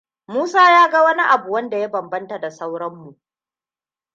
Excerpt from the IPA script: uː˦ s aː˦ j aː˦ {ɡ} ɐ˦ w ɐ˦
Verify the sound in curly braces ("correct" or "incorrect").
correct